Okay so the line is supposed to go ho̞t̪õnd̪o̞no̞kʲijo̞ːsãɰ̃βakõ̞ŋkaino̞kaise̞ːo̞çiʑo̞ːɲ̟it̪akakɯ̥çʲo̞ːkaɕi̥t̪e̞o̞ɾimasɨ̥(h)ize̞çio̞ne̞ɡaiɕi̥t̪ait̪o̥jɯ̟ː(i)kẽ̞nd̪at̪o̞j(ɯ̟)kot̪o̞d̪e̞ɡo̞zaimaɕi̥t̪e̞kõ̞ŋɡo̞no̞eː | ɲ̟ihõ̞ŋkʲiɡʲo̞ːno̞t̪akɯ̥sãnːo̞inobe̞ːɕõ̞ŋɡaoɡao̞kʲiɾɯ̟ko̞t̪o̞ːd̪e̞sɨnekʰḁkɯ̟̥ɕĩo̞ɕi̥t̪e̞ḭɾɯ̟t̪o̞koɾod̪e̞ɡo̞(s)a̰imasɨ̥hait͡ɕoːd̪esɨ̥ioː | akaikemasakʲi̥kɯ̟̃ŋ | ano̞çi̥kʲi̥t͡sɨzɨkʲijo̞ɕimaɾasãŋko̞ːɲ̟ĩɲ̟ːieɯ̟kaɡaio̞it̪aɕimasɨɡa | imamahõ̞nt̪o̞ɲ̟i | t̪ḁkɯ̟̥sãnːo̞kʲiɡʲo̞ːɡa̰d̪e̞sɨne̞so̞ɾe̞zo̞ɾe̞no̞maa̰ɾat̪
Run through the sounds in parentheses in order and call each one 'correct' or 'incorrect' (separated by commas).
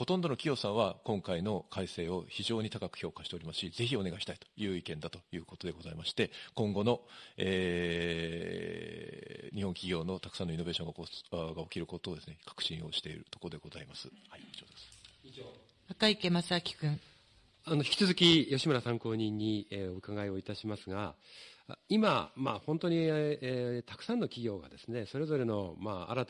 incorrect, correct, incorrect, incorrect